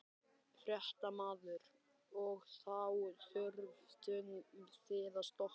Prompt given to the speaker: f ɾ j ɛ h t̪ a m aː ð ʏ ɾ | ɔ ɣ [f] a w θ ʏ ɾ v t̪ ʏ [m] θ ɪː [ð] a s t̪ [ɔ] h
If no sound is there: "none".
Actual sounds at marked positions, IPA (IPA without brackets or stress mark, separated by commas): θ, n, ð, ɔ